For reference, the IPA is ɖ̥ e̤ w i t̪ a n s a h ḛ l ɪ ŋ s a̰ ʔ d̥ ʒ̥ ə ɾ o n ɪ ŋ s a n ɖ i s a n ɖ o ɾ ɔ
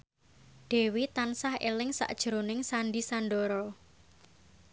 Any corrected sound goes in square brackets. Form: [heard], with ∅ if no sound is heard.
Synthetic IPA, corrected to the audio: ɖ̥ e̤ w i t̪ a n s a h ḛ l ɪ ŋ s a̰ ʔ d̥ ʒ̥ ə ɾ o n ɪ ŋ s a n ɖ i s a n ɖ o ɾ ɔ